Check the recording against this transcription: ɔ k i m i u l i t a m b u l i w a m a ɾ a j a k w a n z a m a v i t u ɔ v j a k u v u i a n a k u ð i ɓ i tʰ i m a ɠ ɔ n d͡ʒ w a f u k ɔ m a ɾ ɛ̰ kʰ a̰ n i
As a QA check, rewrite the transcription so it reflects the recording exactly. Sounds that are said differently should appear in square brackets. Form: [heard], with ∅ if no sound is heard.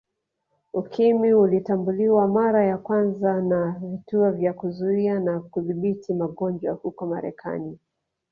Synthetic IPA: [u] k i m i u l i t a m b u l i w a m a ɾ a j a k w a n z a [n] a v i t u ɔ v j a k u [z] u i a n a k u ð i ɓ i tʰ i m a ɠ ɔ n d͡ʒ w a [h] u k ɔ m a ɾ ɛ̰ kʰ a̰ n i